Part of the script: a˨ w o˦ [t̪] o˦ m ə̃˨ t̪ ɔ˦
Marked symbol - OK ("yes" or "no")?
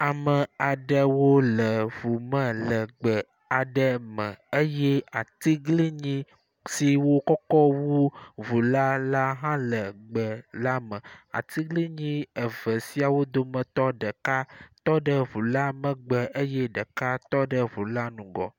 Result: no